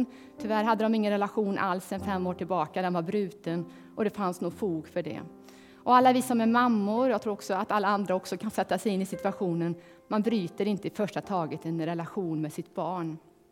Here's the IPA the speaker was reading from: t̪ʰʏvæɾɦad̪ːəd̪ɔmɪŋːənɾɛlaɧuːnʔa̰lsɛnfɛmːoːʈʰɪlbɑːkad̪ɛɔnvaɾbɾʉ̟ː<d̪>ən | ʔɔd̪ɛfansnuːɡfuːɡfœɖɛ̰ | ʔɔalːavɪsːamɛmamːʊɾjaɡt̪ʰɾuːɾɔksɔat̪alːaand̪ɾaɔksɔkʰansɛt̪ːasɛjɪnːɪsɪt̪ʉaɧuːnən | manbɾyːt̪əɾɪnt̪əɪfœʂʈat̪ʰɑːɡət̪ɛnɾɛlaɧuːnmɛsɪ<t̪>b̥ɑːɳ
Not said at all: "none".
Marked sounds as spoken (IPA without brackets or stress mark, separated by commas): t̪, t̪